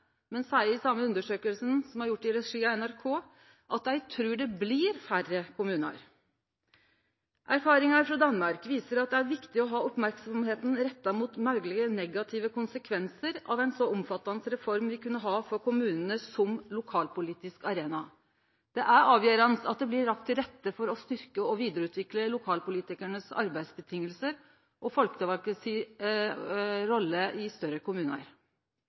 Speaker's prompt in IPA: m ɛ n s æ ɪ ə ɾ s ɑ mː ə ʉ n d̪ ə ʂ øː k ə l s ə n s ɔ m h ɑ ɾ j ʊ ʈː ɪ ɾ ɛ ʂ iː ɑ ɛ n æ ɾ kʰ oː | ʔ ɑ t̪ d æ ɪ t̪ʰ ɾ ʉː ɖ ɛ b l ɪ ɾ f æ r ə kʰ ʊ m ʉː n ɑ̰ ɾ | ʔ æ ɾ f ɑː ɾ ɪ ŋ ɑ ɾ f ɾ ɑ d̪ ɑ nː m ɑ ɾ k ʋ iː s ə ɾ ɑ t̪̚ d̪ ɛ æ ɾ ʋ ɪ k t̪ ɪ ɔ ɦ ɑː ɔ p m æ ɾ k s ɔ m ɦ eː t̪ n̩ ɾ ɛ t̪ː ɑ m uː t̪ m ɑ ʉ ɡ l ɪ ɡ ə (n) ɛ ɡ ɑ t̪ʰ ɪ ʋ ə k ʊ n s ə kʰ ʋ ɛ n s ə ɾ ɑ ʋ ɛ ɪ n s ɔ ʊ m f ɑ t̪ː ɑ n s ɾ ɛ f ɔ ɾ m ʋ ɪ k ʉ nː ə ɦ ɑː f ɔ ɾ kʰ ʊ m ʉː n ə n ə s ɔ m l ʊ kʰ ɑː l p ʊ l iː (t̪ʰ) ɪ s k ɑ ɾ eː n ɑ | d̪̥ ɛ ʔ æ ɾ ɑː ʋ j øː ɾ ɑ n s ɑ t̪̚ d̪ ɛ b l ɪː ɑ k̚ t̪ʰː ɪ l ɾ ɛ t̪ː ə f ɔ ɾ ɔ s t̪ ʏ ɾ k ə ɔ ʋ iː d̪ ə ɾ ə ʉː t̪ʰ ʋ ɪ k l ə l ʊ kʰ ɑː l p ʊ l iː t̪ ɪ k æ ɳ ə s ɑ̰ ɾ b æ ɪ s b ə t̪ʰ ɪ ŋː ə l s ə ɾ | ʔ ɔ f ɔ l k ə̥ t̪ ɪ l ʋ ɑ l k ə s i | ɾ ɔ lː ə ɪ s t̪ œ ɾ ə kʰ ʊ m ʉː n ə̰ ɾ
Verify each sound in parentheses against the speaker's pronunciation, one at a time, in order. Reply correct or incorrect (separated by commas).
correct, incorrect